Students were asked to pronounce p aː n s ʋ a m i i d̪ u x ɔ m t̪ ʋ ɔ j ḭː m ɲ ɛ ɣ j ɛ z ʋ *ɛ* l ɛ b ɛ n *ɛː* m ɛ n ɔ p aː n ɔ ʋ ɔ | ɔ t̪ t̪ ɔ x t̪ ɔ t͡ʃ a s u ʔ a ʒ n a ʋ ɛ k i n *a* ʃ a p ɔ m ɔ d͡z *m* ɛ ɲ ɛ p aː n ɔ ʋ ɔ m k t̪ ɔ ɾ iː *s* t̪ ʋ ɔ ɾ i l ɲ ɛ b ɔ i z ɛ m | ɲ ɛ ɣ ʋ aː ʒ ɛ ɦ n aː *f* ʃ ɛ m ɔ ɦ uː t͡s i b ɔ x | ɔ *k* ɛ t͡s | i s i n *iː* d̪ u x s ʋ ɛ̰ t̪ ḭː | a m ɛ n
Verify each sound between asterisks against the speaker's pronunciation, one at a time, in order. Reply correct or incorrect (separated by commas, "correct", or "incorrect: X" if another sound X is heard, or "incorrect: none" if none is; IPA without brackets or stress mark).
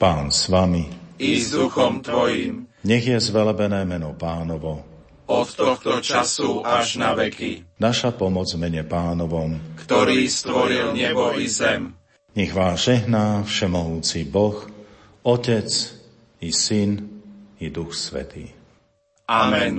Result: correct, correct, correct, correct, correct, correct, incorrect: c, incorrect: i